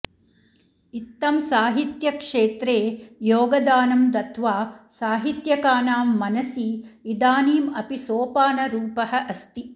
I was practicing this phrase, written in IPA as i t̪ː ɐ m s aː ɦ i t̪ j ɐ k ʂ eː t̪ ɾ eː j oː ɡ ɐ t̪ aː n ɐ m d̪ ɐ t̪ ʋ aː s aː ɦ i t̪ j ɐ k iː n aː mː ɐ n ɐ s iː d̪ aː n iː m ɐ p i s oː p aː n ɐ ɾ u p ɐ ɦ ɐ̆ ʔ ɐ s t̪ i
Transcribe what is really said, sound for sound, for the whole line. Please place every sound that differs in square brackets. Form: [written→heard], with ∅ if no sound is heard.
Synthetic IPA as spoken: i t̪ː ɐ m s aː ɦ i t̪ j ɐ k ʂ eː t̪ ɾ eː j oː ɡ ɐ [t̪→d̪] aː n ɐ m d̪ ɐ t̪ ʋ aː s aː ɦ i t̪ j ɐ k [iː→aː] n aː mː ɐ n ɐ s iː d̪ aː n iː m ɐ p i s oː p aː n ɐ ɾ [u→uː] p ɐ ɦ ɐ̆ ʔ ɐ s t̪ i